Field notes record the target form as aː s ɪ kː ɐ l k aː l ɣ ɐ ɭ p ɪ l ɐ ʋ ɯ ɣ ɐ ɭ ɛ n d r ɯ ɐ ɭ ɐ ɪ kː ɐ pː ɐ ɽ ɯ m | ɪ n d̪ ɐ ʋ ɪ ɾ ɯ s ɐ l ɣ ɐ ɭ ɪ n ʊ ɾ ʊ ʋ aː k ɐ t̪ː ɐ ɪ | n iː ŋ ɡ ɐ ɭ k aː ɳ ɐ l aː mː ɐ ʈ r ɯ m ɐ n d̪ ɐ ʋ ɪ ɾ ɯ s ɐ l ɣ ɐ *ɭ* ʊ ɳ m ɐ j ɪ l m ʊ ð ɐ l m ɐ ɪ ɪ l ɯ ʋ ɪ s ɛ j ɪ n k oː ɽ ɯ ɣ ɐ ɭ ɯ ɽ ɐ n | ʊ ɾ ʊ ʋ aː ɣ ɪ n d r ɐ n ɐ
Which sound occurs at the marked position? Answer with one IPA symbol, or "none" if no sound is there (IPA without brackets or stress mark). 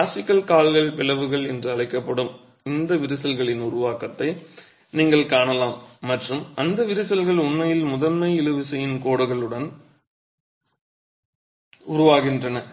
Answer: ɭ